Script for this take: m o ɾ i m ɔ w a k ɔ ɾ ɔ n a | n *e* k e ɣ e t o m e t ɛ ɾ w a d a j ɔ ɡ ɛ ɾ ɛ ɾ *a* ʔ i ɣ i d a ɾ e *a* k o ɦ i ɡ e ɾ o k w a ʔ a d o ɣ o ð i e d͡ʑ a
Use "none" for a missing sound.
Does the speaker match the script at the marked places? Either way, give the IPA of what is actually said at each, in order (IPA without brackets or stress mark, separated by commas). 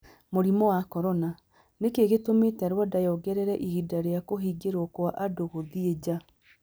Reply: e, ɛ, a